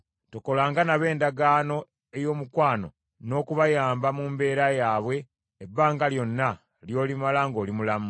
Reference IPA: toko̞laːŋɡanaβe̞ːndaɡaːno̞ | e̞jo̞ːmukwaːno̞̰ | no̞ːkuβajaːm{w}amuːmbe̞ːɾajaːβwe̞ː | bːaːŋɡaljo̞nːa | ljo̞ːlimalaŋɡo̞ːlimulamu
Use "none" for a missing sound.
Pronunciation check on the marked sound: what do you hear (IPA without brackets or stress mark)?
b